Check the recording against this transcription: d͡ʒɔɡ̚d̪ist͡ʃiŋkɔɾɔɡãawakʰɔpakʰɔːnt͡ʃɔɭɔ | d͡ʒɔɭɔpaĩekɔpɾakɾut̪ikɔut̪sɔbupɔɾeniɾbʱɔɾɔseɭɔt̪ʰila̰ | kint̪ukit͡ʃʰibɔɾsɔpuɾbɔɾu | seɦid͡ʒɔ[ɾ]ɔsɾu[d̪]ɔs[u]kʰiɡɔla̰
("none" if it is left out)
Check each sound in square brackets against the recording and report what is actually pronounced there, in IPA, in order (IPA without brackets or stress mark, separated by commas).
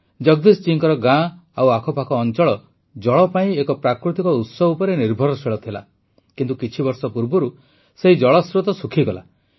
ɭ, t̪, u